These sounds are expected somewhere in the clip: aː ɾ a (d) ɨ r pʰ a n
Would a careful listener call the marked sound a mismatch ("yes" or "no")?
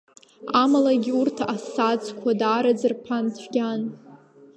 yes